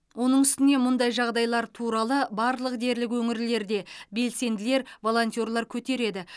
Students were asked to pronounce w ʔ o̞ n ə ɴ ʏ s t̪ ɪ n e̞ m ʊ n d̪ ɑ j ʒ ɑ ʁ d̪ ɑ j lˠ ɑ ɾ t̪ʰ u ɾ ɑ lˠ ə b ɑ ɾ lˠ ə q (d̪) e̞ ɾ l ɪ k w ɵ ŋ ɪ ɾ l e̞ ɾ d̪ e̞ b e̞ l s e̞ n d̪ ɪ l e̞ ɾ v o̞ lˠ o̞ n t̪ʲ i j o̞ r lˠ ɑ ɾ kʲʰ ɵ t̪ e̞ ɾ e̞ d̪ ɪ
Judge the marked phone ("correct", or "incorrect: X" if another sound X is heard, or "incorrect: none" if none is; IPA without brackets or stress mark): correct